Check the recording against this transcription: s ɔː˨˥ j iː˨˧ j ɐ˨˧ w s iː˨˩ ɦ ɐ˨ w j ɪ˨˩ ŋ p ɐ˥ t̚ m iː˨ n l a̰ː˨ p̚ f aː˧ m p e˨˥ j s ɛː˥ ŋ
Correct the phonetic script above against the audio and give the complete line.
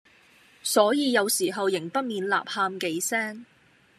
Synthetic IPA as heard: s ɔː˨˥ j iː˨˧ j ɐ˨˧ w s iː˨˩ ɦ ɐ˨ w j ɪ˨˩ ŋ p ɐ˥ t̚ m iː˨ n l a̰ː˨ p̚ h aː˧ m k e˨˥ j s ɛː˥ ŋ